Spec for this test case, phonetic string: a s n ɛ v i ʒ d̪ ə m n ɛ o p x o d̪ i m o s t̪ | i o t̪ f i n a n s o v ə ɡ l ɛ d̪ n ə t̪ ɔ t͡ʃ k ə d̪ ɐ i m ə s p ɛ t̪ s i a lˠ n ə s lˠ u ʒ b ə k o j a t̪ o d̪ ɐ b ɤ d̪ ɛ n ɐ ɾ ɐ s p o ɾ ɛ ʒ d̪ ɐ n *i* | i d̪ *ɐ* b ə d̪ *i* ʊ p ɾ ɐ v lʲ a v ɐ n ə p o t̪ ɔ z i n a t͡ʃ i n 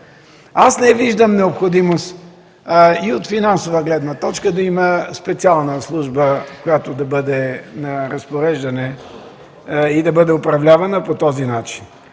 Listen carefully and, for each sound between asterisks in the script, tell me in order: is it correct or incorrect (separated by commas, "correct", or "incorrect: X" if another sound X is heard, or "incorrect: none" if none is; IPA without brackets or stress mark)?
incorrect: ɛ, correct, incorrect: ɛ